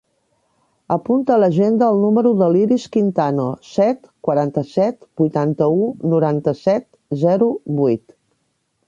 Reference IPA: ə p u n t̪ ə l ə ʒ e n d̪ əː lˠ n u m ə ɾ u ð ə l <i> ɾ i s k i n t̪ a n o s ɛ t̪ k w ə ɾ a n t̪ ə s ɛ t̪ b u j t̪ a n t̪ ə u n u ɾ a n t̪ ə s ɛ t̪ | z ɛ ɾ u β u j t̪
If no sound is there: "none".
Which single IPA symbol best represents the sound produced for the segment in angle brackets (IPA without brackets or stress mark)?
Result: i